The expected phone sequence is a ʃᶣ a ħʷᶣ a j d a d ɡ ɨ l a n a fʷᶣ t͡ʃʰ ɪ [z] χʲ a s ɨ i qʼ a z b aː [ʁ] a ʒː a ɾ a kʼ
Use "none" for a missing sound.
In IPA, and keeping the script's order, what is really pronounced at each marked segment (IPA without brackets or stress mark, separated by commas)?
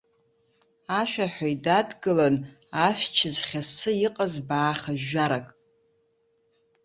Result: z, χ